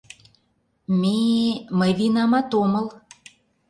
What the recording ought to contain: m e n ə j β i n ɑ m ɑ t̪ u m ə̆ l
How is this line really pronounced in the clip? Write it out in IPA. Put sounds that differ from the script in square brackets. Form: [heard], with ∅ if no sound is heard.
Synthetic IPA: m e [m] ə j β i n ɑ m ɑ t̪ [o] m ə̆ l